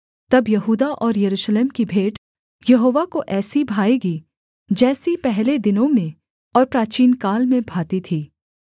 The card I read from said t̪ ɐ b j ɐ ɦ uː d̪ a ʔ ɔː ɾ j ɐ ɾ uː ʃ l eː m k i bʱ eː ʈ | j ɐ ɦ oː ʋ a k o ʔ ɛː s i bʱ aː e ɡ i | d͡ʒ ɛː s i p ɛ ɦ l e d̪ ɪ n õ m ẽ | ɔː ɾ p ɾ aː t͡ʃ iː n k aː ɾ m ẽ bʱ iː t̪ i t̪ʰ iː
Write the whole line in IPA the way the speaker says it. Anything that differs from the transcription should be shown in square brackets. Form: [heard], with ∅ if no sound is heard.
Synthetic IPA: t̪ ɐ b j ɐ ɦ uː d̪ a ʔ ɔː ɾ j ɐ ɾ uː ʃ l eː m k i bʱ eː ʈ | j ɐ ɦ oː ʋ a k o ʔ ɛː s i bʱ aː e ɡ i | d͡ʒ ɛː s i p ɛ ɦ l e d̪ ɪ n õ m ẽ | ɔː ɾ p ɾ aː t͡ʃ iː n k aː [l] m ẽ bʱ [aː] t̪ i t̪ʰ iː